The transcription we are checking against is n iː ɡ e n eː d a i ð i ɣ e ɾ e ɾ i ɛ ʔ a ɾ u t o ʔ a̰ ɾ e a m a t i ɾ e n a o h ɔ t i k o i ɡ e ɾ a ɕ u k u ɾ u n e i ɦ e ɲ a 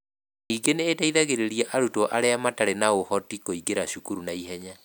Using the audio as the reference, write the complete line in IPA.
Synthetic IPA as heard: n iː ɡ e n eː d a i ð a ɣ e ɾ e ɾ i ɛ ʔ a ɾ u t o ʔ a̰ ɾ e a m a t a ɾ e n a o h ɔ t i k o i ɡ e ɾ a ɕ u k u ɾ u n a i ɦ ɛ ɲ a